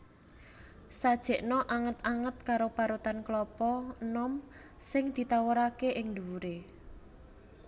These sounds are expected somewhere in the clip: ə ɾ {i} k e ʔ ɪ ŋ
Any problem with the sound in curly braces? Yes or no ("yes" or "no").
yes